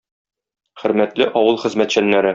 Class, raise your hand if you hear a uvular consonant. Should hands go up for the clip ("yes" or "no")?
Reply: yes